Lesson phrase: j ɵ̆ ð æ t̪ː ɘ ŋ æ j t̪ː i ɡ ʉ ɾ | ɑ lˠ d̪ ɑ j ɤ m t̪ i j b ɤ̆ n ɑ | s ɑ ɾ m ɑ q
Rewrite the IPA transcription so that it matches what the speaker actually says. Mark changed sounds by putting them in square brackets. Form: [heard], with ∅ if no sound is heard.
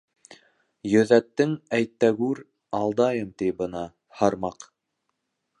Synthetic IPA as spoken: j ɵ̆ ð æ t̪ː ɘ ŋ æ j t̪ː [æ] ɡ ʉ ɾ | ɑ lˠ d̪ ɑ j ɤ m t̪ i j b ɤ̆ n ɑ | [h] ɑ ɾ m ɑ q

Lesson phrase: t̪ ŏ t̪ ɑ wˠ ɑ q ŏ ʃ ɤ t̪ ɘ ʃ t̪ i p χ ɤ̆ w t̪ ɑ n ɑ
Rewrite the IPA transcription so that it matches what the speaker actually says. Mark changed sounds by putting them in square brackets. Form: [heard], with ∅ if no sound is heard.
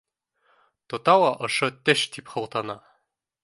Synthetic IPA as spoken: t̪ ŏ t̪ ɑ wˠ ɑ [ʔ] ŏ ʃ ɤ t̪ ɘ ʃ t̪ i p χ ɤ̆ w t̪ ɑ n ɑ

